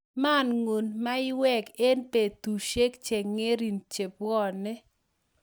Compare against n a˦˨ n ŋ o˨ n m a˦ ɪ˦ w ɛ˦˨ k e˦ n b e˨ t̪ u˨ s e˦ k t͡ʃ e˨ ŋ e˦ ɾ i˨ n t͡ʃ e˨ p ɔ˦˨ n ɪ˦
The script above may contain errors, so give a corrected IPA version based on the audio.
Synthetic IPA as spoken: m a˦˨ n ŋ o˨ n m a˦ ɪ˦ w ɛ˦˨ k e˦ n p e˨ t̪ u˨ ʃ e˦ k t͡ʃ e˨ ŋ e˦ ɾ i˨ n t͡ʃ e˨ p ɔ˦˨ n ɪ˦